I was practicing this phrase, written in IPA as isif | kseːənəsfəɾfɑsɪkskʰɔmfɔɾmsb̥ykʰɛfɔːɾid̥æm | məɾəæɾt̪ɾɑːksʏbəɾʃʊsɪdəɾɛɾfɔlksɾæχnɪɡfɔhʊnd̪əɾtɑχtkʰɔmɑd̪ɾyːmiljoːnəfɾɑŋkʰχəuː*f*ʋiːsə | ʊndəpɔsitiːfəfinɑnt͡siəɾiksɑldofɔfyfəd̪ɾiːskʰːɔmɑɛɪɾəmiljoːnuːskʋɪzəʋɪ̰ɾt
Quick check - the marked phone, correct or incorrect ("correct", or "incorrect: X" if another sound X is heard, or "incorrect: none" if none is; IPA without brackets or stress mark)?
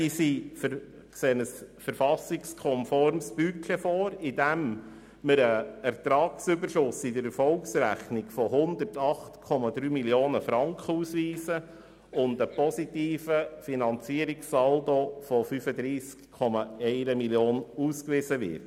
incorrect: s